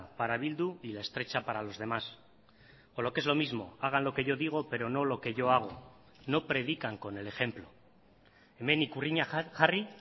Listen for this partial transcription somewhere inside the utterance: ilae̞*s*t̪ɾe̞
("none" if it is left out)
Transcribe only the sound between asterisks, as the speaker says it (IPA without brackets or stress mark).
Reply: s